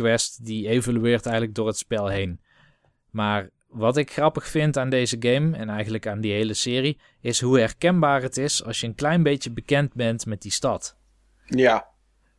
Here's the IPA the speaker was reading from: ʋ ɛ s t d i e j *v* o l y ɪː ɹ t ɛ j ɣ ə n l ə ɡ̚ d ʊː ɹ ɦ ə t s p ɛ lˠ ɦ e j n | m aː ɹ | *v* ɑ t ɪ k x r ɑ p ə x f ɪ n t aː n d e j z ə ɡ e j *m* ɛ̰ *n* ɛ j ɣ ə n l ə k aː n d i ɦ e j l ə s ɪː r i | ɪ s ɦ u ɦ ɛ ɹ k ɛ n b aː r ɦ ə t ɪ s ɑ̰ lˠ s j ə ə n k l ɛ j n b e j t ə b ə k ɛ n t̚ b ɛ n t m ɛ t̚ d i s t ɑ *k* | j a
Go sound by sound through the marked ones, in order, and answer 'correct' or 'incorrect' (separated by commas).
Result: correct, incorrect, correct, correct, incorrect